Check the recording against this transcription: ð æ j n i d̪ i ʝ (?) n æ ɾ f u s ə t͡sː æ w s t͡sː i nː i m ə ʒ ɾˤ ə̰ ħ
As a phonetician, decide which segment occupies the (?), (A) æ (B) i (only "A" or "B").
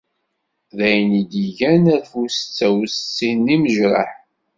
A